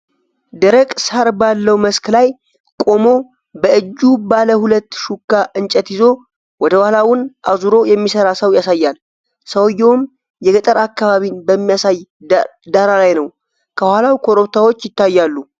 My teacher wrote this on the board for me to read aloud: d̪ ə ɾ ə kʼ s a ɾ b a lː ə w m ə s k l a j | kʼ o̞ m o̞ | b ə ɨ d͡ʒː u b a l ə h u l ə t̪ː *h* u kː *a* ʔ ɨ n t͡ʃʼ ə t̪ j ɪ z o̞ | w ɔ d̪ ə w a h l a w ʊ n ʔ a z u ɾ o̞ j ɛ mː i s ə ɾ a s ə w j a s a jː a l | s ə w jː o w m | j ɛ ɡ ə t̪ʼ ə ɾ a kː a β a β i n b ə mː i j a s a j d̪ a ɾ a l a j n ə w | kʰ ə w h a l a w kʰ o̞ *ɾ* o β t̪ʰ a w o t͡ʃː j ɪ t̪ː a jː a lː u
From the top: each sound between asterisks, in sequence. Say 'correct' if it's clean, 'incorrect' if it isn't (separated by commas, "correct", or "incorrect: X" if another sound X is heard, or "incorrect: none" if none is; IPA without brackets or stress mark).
incorrect: ʃ, correct, correct